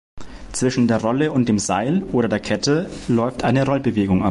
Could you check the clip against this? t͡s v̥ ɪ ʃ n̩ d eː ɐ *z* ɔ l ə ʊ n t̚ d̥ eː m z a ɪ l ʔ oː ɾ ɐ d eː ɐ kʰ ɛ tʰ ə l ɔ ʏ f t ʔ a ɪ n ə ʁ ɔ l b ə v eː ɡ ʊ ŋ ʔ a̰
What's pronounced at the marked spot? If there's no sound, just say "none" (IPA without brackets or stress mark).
ʁ